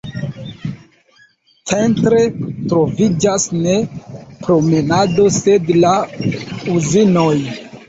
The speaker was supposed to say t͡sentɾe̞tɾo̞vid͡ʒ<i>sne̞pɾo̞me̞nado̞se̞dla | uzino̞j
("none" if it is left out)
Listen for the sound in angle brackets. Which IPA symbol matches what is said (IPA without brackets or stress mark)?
a